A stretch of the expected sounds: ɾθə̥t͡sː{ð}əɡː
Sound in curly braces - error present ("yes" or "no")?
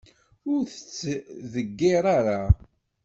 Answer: no